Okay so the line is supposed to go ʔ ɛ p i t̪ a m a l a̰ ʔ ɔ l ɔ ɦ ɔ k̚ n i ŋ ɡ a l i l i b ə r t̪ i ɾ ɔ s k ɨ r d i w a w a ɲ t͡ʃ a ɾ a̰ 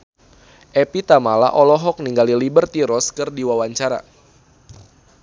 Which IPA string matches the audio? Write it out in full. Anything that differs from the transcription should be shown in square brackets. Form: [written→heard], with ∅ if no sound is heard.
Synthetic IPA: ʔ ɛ p i t̪ a m a l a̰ ʔ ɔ l ɔ ɦ ɔ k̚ n i ŋ ɡ a l i l i b ə r t̪ i ɾ ɔ s k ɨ r d i w a w a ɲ t͡ʃ a ɾ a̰